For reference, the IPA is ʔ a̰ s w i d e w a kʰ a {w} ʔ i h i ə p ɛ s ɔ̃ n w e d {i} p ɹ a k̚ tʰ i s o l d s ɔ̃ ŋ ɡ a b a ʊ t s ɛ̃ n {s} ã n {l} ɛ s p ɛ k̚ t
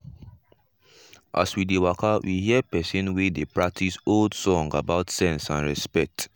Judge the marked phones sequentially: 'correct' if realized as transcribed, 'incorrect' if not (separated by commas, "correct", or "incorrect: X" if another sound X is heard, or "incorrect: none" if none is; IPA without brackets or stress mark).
correct, incorrect: e, correct, incorrect: ɹ